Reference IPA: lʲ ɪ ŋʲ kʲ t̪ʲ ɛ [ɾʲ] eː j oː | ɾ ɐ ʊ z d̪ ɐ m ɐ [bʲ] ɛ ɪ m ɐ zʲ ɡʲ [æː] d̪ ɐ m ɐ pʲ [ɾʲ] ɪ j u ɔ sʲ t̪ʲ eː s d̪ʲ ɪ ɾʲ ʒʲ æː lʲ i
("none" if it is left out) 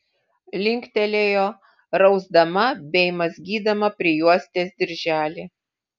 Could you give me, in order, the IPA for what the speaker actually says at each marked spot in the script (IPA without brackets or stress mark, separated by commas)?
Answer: lʲ, bʲ, iː, ɾʲ